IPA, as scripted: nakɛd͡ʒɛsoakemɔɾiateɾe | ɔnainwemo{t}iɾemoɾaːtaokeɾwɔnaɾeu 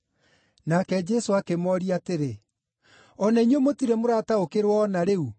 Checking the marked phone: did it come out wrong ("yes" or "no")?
no